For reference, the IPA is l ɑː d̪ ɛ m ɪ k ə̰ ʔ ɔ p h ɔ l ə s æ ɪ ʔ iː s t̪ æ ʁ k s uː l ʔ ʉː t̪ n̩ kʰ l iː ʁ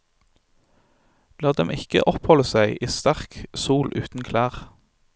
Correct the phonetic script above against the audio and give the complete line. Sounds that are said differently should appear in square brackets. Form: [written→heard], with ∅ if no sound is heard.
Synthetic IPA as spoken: l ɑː d̪ ɛ m ɪ k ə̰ ʔ ɔ p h ɔ l ə s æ ɪ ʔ iː s t̪ æ ʁ k s uː l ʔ ʉː t̪ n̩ kʰ l [iː→æː] ʁ

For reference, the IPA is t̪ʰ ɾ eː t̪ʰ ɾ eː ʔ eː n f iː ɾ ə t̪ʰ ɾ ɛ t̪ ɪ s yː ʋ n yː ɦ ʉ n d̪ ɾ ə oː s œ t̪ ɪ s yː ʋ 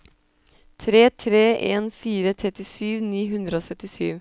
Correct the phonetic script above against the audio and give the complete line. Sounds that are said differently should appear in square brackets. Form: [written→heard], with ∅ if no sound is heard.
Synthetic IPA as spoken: t̪ʰ ɾ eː t̪ʰ ɾ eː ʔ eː n f iː ɾ ə t̪ʰ ɾ ɛ t̪ ɪ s yː ʋ n [yː→iː] ɦ ʉ n d̪ ɾ ə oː s œ t̪ ɪ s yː ʋ

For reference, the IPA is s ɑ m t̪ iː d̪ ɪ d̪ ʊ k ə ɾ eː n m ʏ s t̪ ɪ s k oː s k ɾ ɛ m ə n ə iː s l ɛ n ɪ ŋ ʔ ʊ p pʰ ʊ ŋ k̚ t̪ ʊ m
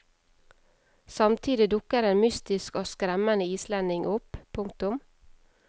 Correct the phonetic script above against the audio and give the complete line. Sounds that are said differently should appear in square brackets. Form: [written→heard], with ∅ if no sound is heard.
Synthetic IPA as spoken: s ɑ m [t̪→t̪ʰ] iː d̪ ɪ d̪ ʊ k ə ɾ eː n m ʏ s t̪ ɪ s k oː s k ɾ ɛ m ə n ə iː s l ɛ n ɪ ŋ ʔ ʊ p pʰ ʊ ŋ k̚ t̪ ʊ m

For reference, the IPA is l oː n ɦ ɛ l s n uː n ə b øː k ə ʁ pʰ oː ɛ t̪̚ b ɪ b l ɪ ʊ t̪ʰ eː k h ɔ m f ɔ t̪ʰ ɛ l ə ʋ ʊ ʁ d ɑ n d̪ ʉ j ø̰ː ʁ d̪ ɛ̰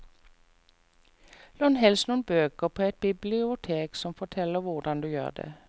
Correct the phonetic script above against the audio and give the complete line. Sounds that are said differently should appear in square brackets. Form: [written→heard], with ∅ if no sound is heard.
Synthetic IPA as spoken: l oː n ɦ ɛ l s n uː n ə b øː k ə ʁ pʰ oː ɛ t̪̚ b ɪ b l ɪ ʊ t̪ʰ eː k [h→s] ɔ m f ɔ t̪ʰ ɛ l ə ʋ ʊ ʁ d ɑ n d̪ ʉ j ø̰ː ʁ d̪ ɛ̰

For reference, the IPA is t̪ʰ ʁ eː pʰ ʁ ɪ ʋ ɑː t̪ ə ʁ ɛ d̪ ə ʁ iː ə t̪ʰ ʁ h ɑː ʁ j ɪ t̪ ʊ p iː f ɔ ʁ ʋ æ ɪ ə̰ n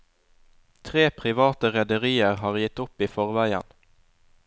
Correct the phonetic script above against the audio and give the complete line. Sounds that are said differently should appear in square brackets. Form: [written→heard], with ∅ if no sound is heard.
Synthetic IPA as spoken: t̪ʰ ʁ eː pʰ ʁ ɪ ʋ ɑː t̪ ə ʁ ɛ d̪ ə ʁ iː ə [t̪ʰ→∅] ʁ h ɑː ʁ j ɪ t̪ ʊ p iː f ɔ ʁ ʋ æ ɪ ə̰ n

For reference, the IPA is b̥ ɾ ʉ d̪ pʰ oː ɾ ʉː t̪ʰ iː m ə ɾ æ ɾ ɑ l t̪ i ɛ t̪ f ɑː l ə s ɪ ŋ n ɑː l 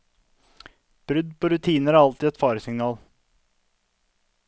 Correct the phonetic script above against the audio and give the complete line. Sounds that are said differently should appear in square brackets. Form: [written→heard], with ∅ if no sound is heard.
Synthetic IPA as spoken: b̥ ɾ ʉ d̪ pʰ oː ɾ [ʉː→ʉ] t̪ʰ iː [m→n] ə ɾ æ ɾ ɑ l t̪ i ɛ t̪ f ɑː [l→ɾ] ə s ɪ ŋ n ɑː l

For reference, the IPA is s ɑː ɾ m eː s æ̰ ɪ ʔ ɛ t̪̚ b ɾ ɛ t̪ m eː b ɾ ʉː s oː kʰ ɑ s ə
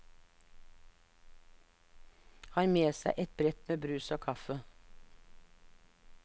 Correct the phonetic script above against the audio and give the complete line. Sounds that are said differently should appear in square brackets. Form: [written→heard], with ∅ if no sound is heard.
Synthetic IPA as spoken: [s→h] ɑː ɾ m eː s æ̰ ɪ ʔ ɛ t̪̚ b ɾ ɛ t̪ m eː b ɾ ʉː s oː kʰ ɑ [s→f] ə

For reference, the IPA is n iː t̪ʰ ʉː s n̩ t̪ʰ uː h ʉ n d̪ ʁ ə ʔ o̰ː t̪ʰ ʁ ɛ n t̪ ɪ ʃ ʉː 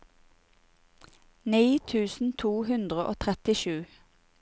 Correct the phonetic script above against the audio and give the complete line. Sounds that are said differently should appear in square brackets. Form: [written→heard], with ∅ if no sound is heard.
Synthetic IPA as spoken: n iː t̪ʰ ʉː s n̩ t̪ʰ uː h ʉ n d̪ ʁ ə ʔ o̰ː t̪ʰ ʁ ɛ [n→∅] t̪ ɪ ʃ ʉː

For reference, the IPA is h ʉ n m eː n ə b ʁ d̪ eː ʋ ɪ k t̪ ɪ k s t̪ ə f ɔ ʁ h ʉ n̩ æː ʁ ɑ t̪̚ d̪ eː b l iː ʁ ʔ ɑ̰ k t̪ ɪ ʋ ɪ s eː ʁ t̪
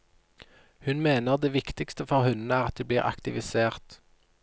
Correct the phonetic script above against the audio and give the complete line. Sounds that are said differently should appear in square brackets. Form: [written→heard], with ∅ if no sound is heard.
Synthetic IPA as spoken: h ʉ n m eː n ə [b→∅] ʁ d̪ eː ʋ ɪ k t̪ ɪ k s t̪ ə f ɔ ʁ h ʉ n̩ æː ʁ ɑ t̪̚ d̪ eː b l iː ʁ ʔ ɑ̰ k t̪ ɪ ʋ ɪ s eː ʁ t̪

